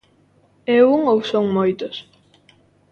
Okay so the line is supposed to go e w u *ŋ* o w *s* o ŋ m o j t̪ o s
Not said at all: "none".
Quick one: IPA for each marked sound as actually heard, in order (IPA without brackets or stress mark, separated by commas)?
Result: ŋ, s